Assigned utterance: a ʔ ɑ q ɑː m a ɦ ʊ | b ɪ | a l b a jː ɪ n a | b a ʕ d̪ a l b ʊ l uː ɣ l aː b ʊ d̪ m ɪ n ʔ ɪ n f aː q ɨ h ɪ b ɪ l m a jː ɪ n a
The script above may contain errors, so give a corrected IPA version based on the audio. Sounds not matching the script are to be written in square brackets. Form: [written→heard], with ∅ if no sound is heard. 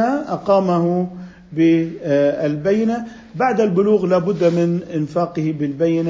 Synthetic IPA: a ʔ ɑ q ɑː m a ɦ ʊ | b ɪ | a l b a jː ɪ n a | b a ʕ d̪ a l b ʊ l uː ɣ l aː b ʊ [d̪→d̪ː] m ɪ n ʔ ɪ n f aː q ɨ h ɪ b ɪ l [m→b] a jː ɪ n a